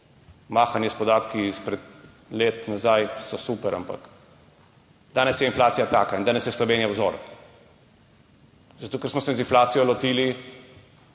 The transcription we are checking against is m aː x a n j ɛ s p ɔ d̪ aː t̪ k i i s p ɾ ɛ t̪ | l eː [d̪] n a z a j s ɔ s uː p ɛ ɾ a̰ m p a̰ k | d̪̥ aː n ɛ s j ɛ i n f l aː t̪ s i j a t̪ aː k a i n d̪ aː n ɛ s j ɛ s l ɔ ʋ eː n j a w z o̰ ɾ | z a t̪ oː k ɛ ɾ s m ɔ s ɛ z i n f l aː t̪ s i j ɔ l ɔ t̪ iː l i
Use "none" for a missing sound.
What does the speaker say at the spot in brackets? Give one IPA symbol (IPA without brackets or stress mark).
t̪